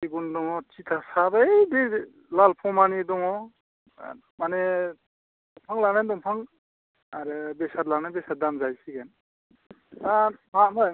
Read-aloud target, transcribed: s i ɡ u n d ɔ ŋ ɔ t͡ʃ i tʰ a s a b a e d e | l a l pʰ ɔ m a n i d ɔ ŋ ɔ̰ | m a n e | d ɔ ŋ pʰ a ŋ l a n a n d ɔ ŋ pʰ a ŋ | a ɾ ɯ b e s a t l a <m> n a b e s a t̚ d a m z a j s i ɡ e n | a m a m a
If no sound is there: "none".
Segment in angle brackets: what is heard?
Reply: none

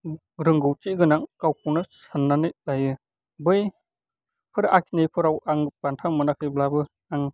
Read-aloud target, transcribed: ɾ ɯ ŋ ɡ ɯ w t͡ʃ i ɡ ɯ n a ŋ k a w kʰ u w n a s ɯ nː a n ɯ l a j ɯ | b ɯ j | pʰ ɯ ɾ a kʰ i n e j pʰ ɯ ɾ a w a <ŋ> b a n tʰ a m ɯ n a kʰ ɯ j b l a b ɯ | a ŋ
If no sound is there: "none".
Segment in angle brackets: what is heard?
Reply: ŋ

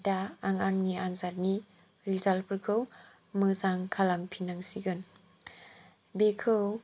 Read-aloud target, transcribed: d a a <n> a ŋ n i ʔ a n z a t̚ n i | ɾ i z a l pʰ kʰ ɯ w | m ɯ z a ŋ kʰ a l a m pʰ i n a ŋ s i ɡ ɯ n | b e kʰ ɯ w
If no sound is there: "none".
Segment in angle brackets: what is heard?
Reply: ŋ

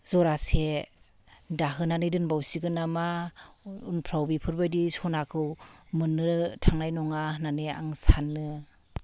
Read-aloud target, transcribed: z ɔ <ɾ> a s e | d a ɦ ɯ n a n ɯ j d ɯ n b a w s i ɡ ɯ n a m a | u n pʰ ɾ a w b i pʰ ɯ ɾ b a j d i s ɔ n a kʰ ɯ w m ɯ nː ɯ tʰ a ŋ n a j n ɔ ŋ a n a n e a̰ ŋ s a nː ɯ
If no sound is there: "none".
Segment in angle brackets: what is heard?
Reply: ɾ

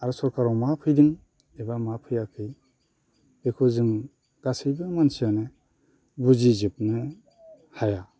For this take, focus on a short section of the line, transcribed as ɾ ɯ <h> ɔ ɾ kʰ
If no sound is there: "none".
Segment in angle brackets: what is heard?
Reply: s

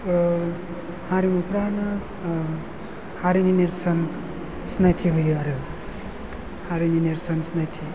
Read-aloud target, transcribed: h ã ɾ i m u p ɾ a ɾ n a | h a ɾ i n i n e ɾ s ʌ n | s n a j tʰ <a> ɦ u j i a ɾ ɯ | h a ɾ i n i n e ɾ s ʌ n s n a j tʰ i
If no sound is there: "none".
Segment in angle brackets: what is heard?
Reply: i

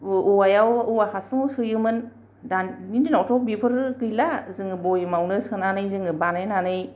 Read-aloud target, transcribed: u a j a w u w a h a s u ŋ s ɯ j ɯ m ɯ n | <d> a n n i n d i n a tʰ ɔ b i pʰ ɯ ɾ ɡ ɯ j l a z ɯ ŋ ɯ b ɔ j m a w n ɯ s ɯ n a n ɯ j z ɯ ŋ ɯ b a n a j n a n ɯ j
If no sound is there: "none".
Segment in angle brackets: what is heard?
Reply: d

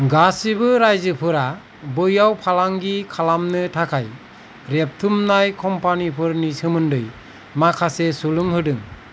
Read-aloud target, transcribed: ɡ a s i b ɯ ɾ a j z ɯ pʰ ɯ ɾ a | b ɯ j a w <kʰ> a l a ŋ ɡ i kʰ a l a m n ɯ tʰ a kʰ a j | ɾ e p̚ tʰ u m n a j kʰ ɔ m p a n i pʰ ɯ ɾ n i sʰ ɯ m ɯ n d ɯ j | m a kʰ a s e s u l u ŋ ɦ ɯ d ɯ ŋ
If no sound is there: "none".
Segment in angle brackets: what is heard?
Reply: pʰ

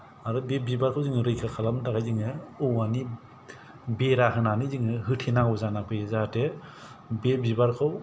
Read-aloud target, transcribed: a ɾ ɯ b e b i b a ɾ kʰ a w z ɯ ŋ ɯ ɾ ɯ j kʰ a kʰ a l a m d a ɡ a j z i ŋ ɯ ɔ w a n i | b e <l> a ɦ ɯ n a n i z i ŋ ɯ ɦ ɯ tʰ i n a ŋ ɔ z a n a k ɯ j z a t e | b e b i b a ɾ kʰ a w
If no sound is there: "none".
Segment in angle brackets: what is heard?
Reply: ɾ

